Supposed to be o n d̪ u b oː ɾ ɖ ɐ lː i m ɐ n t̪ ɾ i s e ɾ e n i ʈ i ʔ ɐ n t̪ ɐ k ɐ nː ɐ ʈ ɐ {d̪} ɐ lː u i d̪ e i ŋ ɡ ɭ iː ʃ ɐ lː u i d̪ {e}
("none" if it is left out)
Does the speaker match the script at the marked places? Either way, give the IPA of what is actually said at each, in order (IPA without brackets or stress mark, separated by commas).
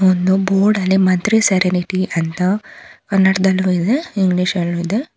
d̪, e